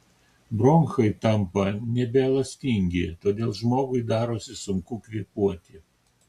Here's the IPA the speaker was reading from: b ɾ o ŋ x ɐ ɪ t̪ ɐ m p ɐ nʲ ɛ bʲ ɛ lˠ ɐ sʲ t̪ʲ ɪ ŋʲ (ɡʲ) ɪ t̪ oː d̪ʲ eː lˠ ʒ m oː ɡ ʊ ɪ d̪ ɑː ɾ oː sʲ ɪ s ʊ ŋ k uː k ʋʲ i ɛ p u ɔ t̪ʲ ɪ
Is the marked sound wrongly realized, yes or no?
no